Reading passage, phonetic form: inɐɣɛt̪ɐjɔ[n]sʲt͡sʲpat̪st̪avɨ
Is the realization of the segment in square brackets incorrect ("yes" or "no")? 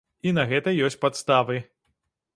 yes